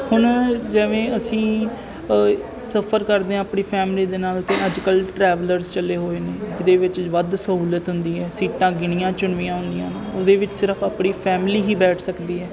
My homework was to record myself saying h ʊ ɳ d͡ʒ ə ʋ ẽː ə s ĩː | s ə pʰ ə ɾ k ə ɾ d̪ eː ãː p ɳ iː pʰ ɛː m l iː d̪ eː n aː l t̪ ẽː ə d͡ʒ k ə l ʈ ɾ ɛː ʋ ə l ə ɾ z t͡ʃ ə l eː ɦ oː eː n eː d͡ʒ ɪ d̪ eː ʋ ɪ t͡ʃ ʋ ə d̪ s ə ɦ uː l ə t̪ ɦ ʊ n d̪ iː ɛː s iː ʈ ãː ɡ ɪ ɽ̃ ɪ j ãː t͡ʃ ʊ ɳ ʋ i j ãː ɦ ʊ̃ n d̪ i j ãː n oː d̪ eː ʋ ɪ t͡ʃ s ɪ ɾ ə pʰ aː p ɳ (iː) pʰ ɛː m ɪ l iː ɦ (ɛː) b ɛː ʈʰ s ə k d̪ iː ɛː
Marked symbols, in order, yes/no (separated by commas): yes, no